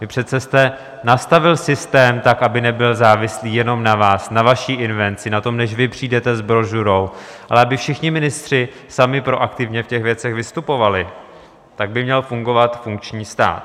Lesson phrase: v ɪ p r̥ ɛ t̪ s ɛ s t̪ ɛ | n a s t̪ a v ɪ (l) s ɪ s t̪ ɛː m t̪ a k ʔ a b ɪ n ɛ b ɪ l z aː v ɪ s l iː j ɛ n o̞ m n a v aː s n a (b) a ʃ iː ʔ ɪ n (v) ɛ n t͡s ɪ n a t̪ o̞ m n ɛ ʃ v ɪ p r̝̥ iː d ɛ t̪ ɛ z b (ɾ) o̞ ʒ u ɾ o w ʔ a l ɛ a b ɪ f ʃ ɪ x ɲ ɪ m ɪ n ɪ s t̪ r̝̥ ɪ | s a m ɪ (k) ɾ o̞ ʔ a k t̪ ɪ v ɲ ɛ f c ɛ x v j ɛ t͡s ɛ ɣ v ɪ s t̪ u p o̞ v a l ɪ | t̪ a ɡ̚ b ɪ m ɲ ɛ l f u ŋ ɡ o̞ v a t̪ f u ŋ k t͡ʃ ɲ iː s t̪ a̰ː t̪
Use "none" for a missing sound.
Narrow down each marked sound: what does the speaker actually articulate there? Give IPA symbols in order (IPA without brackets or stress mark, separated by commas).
l, v, v, ɾ, p